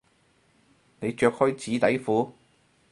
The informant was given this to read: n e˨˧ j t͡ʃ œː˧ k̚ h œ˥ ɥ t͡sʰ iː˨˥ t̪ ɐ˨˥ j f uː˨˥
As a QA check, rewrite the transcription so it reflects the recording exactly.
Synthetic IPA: n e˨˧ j t͡ʃ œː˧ k̚ h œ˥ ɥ t͡s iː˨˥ t̪ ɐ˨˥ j f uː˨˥